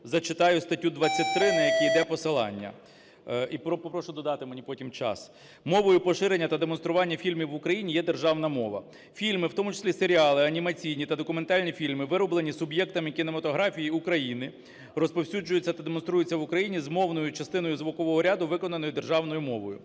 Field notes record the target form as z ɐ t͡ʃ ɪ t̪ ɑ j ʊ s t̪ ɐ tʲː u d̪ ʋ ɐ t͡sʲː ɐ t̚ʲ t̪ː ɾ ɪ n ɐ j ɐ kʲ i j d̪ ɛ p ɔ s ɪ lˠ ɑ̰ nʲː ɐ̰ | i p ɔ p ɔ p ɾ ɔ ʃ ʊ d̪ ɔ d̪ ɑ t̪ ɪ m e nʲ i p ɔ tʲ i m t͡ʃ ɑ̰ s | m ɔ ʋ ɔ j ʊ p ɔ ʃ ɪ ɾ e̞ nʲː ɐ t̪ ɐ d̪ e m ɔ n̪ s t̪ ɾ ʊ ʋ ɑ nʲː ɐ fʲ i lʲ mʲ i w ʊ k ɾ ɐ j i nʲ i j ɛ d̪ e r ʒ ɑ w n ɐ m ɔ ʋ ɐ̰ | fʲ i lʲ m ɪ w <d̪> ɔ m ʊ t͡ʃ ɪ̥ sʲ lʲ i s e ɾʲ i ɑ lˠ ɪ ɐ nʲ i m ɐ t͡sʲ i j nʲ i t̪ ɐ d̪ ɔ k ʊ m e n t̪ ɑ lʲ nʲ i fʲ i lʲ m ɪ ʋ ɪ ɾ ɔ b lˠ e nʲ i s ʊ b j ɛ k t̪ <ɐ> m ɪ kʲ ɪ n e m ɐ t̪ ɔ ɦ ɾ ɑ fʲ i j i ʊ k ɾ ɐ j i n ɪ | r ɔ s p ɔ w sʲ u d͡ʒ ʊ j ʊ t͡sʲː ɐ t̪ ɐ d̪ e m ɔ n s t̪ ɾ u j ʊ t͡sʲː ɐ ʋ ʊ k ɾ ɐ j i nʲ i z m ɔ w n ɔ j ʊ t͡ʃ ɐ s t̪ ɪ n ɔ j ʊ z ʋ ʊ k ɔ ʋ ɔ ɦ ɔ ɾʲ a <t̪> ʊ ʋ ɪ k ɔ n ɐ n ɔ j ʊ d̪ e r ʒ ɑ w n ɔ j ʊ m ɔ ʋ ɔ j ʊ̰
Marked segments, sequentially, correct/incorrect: incorrect, correct, incorrect

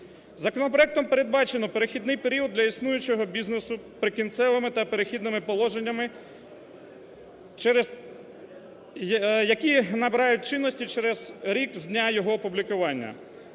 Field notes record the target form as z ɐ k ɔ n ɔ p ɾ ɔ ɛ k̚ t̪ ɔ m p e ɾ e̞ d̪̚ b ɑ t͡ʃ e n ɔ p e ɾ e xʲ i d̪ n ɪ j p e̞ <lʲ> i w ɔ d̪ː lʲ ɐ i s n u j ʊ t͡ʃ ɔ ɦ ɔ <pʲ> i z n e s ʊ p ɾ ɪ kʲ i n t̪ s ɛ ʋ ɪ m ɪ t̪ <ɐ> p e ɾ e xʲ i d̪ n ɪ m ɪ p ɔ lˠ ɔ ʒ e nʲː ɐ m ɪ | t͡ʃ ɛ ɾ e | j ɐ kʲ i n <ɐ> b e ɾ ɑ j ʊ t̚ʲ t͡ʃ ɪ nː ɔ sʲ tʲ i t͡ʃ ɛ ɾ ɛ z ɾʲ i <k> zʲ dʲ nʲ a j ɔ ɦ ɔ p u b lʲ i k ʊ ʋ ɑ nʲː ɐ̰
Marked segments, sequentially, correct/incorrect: incorrect, incorrect, correct, correct, correct

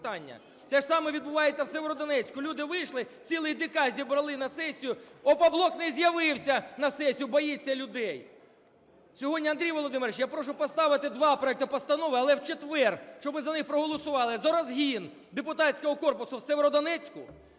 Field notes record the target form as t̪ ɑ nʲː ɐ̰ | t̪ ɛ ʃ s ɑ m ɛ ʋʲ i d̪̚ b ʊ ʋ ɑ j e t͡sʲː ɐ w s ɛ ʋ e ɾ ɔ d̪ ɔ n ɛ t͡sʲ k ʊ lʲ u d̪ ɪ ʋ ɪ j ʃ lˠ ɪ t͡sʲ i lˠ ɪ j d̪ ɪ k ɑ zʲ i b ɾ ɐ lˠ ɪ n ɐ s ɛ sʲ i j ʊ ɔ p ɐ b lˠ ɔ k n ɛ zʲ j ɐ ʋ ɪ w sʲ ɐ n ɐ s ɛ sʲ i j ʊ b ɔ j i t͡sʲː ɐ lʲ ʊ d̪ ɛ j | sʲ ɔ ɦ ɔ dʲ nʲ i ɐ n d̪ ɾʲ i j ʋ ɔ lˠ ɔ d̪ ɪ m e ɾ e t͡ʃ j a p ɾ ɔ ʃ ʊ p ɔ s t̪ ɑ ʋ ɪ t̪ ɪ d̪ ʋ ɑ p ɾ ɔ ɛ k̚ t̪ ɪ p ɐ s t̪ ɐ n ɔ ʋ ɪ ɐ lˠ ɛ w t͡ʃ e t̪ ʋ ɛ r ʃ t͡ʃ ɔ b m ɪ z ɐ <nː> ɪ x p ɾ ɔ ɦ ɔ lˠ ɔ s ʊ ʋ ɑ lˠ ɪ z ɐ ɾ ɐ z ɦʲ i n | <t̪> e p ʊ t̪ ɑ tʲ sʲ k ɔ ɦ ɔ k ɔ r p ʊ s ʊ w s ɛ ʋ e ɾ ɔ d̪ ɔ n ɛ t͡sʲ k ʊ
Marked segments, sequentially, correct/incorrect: incorrect, incorrect

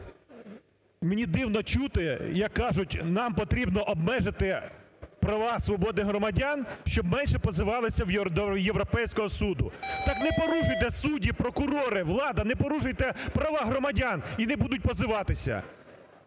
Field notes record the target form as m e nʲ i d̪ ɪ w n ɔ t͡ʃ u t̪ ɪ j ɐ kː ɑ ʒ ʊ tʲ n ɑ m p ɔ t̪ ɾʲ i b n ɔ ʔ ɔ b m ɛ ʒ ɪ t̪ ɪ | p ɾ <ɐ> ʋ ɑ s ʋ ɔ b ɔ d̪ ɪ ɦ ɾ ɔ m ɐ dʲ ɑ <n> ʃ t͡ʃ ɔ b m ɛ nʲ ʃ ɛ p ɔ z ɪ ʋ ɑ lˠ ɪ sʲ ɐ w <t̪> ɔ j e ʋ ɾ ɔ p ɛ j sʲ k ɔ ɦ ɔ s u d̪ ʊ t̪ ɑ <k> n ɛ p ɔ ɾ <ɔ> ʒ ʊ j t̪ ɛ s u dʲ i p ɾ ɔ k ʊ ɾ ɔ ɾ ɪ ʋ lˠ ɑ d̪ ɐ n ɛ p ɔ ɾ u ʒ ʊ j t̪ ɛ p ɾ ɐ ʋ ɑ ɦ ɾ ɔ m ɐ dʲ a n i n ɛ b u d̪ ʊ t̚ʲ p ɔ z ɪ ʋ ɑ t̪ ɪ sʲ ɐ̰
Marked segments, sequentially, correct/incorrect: correct, correct, incorrect, correct, incorrect

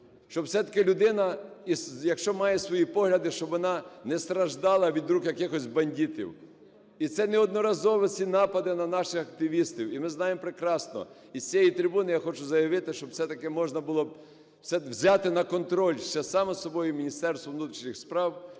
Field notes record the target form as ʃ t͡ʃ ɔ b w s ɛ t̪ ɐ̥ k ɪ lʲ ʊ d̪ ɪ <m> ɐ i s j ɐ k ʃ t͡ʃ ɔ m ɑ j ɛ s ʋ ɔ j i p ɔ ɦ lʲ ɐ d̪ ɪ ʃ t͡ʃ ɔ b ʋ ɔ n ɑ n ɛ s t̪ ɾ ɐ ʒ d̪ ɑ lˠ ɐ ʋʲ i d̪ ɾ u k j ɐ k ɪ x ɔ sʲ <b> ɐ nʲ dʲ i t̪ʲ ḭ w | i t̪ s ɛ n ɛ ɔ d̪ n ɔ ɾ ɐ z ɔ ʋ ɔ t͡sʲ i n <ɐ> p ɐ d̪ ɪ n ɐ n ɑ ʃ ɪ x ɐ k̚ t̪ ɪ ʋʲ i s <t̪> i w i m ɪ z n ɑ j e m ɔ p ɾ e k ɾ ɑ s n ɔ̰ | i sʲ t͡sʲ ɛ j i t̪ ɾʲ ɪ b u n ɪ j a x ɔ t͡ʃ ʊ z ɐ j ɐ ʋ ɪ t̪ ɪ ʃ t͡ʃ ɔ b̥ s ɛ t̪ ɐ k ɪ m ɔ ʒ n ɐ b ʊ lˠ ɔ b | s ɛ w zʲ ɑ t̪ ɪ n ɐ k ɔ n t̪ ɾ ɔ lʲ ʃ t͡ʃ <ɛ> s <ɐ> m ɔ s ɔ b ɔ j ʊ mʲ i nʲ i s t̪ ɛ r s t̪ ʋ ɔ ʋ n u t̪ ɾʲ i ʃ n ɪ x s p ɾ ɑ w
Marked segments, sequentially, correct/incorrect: incorrect, correct, incorrect, correct, correct, incorrect

